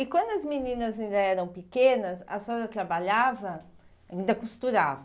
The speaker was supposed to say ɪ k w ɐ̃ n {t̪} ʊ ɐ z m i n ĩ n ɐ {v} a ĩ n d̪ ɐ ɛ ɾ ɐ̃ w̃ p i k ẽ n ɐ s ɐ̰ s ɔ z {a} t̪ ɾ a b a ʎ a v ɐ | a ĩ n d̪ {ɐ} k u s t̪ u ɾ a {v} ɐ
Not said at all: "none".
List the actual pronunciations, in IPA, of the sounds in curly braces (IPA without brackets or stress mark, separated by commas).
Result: d̪, z, ɐ, ɐ, v